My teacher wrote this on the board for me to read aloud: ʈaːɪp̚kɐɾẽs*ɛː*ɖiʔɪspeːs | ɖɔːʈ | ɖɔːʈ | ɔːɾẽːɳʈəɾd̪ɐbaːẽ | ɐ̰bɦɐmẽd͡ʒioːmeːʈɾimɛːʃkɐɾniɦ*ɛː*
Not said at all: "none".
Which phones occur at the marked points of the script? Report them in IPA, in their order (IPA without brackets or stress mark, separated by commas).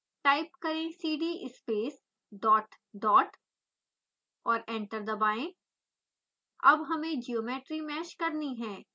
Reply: iː, ɛ̃ː